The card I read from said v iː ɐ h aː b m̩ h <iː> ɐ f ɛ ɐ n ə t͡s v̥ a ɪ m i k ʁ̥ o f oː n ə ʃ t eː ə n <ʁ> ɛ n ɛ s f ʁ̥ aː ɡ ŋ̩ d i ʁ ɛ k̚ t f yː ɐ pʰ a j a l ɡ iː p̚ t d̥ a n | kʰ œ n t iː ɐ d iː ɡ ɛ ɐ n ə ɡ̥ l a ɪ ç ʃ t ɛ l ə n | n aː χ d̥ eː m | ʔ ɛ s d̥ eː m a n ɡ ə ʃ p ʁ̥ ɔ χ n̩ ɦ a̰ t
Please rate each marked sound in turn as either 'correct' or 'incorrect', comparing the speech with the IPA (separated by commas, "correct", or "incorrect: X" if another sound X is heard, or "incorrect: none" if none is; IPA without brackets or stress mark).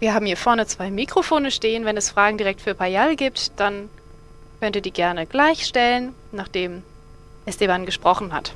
correct, incorrect: v